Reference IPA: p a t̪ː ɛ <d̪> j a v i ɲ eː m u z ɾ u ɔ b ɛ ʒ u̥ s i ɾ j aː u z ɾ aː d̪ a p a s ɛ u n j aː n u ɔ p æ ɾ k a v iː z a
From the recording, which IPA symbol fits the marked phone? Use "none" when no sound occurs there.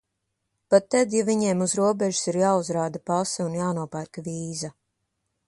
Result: d̪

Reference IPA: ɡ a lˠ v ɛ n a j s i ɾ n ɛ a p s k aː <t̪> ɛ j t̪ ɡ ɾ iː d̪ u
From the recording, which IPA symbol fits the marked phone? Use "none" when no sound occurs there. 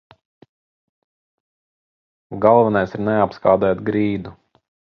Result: d̪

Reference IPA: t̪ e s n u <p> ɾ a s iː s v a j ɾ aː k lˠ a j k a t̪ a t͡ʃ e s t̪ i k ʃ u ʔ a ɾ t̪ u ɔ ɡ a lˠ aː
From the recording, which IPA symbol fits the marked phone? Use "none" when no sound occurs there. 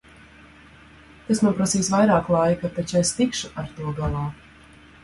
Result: p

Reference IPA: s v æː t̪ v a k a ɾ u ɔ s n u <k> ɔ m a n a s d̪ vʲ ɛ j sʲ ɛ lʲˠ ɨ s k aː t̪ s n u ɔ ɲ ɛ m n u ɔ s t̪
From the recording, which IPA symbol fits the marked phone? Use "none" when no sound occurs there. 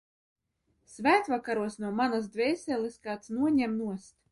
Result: none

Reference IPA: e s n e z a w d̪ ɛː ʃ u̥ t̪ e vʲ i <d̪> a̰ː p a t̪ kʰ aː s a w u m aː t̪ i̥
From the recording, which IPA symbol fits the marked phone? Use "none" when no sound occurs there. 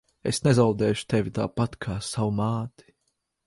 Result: t̪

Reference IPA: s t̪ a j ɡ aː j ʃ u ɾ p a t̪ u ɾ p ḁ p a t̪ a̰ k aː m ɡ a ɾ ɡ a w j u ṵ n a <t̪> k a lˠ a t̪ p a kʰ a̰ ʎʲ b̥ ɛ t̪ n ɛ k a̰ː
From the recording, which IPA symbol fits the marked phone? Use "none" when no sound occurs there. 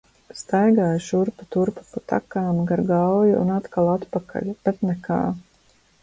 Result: t̪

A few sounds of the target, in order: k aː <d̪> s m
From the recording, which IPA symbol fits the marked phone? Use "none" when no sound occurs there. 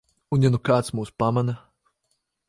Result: t̪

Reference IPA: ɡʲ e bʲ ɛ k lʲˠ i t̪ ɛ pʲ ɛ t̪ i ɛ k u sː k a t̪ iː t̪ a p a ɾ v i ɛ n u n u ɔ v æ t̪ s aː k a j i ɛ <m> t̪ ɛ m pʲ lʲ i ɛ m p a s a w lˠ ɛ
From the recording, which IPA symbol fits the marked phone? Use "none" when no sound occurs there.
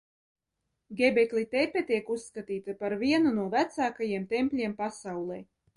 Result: m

